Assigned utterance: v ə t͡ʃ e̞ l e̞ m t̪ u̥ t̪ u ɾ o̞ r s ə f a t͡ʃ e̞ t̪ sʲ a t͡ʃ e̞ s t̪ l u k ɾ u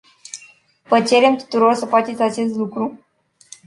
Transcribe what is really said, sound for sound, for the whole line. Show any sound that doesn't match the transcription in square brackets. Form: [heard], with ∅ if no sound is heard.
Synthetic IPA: v ə t͡ʃ e̞ [ɾ] e̞ m t̪ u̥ t̪ u ɾ o̞ r s ə f a t͡ʃ e̞ t̪ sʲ a t͡ʃ e̞ s t̪ l u k ɾ u